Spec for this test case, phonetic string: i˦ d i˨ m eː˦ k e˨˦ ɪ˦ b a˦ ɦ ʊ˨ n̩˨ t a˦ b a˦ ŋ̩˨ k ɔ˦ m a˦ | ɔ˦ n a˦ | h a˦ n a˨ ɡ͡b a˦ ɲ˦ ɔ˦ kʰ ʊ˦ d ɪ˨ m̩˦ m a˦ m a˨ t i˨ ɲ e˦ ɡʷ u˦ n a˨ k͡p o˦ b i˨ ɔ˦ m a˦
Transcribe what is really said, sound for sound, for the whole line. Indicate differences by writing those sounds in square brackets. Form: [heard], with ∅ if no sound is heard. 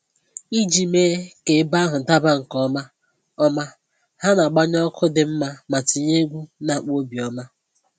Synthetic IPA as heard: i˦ [d͡ʒ] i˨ m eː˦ k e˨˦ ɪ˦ b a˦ ɦ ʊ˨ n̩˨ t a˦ b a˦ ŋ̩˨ k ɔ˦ m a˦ | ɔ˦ [m] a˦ | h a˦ n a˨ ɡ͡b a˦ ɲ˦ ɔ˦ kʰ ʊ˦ d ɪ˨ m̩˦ m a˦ m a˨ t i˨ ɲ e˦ ɡʷ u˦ n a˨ k͡p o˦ b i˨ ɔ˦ m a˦